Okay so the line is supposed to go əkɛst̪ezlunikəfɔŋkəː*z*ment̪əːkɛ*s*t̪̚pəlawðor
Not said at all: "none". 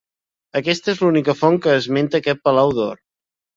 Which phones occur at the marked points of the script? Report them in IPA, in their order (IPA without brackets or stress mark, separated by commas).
z, none